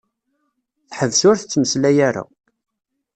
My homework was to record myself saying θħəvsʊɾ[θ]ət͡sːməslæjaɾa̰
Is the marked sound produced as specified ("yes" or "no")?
yes